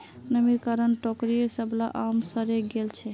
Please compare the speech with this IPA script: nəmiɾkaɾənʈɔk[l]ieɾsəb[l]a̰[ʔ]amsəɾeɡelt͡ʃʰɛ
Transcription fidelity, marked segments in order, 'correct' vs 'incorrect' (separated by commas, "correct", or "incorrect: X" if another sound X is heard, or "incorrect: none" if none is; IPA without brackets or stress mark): incorrect: ɾ, correct, correct